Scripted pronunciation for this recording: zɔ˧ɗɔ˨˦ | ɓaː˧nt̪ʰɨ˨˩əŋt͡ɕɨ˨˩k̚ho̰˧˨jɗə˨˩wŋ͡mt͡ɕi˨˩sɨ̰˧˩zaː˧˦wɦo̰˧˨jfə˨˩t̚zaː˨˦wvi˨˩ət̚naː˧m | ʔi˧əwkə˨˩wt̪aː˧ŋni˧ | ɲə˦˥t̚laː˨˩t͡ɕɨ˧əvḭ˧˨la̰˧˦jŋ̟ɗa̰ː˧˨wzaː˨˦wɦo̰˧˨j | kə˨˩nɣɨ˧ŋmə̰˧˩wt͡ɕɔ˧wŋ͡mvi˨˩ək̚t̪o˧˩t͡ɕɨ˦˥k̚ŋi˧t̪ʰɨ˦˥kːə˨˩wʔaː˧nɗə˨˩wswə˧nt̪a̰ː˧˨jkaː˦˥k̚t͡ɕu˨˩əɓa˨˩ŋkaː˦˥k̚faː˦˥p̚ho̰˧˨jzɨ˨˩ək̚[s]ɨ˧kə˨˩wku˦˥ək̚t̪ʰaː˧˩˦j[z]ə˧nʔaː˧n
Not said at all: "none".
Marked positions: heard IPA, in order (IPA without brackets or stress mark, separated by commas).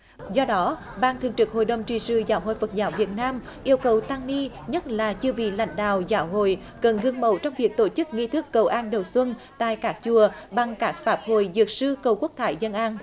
s, z